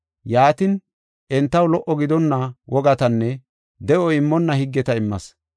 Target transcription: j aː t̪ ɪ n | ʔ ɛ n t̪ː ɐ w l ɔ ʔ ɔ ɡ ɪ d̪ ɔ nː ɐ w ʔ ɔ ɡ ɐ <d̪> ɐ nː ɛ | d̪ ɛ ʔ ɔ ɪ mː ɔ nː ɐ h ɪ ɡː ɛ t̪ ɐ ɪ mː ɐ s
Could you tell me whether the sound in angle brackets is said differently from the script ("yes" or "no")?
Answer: yes